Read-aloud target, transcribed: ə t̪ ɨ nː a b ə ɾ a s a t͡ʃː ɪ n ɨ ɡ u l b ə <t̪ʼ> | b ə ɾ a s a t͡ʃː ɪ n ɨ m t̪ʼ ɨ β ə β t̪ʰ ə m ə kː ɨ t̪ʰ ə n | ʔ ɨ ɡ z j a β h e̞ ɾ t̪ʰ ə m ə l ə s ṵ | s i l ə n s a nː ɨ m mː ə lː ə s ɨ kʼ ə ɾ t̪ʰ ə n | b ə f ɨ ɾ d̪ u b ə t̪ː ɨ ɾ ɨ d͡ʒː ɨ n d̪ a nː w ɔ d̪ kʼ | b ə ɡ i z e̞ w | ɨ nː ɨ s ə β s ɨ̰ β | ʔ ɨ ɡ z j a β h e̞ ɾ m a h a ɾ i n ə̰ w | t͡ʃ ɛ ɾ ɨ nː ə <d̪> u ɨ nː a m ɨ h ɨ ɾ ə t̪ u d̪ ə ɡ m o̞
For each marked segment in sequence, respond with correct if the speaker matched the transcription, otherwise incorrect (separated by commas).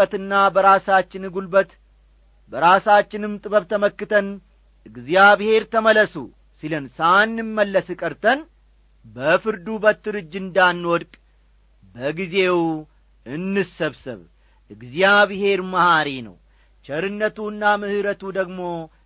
incorrect, incorrect